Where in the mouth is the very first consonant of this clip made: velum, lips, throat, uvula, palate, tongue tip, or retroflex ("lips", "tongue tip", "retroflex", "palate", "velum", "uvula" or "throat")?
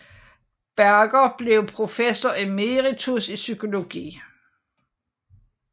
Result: lips